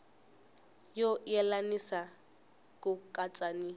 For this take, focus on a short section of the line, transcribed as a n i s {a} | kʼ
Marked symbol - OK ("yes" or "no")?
yes